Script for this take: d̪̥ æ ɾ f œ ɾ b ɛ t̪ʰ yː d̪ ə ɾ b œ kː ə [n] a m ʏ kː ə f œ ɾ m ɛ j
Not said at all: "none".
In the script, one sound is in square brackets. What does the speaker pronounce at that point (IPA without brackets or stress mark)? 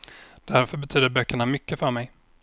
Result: ɳ